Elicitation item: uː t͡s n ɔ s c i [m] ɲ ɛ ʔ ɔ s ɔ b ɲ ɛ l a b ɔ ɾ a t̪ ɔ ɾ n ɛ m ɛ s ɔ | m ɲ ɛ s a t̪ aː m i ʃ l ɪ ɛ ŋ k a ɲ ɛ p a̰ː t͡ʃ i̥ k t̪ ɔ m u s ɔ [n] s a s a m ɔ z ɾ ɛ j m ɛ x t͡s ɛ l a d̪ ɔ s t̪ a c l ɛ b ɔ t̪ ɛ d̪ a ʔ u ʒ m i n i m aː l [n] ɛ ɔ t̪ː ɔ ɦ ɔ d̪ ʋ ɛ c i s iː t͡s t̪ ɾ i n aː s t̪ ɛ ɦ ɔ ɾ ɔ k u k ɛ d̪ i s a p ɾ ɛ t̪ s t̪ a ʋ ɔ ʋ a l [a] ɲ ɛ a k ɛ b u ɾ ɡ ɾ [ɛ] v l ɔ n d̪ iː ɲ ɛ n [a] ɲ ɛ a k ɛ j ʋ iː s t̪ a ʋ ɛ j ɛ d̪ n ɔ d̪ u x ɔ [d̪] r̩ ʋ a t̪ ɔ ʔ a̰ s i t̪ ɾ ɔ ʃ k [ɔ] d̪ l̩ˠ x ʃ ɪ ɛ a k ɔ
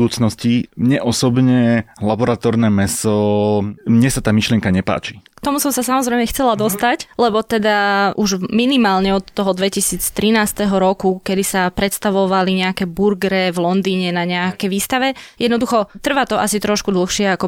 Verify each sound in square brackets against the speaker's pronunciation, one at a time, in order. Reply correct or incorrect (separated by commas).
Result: correct, incorrect, incorrect, incorrect, correct, correct, incorrect, incorrect